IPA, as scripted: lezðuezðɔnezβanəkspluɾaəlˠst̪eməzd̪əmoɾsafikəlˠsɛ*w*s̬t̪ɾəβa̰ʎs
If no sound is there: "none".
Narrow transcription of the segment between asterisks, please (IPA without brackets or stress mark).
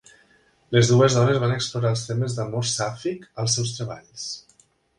w